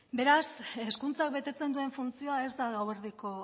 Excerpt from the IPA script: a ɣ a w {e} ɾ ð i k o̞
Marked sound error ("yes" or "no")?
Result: no